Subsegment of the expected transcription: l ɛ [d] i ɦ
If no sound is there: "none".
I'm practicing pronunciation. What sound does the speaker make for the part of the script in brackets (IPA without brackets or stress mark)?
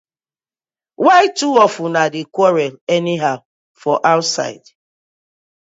n